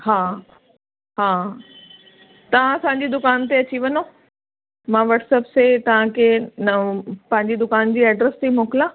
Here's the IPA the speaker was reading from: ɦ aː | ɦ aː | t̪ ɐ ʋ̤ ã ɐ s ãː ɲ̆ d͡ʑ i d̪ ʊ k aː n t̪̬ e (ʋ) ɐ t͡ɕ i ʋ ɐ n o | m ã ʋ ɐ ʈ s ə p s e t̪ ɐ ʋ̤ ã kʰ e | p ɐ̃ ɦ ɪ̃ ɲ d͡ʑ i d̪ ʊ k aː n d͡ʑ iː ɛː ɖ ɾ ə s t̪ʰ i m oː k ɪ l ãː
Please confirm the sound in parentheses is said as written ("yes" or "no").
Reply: no